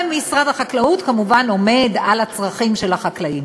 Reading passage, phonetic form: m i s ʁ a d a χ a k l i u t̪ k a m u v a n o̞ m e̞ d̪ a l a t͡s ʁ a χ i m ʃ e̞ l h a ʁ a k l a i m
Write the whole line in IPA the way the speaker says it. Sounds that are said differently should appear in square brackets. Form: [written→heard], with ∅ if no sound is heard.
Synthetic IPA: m i s ʁ a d a χ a k l [i→a] u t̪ k a m u v a n o̞ m e̞ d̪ a l a t͡s ʁ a χ i m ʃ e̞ l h a [ʁ→χ] a k l a i m